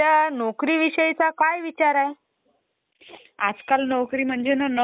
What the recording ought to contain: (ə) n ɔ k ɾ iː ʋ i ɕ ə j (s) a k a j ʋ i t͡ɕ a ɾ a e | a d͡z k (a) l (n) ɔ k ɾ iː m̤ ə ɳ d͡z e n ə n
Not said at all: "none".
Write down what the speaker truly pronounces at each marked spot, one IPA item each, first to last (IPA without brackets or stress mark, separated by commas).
a, t͡s, a, n